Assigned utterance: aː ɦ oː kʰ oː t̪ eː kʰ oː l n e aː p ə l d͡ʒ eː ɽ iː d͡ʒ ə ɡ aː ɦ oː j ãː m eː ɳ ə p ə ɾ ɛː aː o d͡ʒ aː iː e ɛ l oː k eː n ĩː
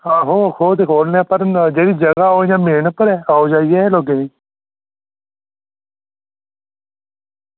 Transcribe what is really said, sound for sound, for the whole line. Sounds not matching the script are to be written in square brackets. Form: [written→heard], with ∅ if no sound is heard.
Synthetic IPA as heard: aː ɦ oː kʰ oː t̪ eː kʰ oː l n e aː p ə [l→ɾ] d͡ʒ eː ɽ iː d͡ʒ ə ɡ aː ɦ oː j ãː m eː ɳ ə p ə ɾ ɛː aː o d͡ʒ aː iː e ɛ l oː [k→ɡ] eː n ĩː